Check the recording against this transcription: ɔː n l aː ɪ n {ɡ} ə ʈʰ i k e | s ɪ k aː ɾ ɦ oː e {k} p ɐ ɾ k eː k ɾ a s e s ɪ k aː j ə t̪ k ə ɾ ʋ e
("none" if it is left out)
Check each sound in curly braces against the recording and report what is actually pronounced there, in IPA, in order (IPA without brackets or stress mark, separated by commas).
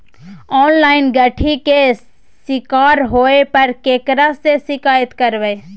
ɡ, none